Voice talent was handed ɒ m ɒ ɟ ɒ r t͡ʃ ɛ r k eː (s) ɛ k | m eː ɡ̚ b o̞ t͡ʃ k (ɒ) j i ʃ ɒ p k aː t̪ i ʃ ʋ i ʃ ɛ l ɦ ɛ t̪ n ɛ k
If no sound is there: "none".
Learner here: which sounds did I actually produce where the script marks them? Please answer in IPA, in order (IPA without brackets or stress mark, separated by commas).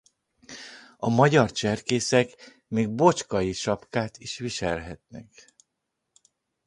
s, ɒ